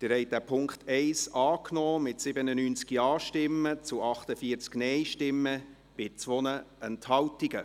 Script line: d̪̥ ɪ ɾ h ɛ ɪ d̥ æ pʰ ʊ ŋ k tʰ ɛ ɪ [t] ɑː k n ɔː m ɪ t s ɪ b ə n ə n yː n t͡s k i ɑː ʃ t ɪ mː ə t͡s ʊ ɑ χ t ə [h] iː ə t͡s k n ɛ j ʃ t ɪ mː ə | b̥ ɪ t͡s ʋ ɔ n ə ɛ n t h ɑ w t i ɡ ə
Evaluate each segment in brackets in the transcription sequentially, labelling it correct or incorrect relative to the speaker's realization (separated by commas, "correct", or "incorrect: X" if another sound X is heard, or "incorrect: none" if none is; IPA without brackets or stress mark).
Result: incorrect: s, incorrect: f